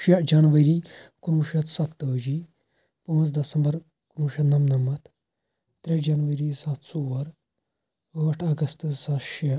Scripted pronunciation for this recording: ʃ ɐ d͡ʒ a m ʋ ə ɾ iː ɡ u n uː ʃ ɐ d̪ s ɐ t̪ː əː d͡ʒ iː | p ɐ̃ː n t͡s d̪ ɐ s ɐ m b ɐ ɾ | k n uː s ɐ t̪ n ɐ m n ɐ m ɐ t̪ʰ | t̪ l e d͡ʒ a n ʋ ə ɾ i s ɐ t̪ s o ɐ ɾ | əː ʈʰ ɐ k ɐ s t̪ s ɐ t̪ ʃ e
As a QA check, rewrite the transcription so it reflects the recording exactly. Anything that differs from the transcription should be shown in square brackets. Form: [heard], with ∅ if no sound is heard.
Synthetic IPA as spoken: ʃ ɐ d͡ʒ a [n] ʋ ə ɾ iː [k] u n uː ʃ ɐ [t̪] s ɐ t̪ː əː d͡ʒ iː | p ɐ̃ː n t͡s d̪ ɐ s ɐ m b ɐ ɾ | k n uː [ʃ] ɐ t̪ n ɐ m n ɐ m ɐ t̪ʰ | t̪ [ɾ] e d͡ʒ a n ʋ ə ɾ i s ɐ t̪ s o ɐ ɾ | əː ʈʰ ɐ [ɡ] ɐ s t̪ s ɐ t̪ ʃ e